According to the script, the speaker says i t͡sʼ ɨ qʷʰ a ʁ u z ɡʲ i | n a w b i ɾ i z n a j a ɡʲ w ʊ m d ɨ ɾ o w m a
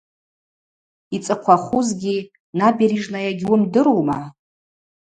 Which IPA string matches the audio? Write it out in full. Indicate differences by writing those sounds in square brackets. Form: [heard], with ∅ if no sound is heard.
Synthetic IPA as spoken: i t͡sʼ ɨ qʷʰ a [χ] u z ɡʲ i | n a [∅] b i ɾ i [ʐ] n a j a ɡʲ w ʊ m d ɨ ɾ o w m a